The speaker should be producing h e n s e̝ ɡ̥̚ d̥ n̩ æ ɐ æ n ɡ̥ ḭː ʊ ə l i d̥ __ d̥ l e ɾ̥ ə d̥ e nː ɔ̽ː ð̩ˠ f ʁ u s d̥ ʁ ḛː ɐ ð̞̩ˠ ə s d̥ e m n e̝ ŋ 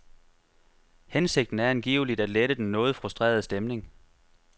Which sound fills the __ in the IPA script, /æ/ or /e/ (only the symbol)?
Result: æ